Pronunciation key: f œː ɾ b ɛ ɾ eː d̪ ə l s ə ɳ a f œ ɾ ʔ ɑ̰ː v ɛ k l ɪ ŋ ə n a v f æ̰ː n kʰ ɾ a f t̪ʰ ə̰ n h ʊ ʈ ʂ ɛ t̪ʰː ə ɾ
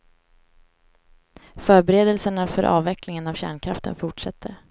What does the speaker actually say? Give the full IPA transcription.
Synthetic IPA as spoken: f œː ɾ b ɛ ɾ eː d̪ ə l s ə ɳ a f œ ɾ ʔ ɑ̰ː v ɛ k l ɪ ŋ ə n a v ɕ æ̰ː ɳ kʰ ɾ a f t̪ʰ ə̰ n f ʊ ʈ ʂ ɛ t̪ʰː ə ɾ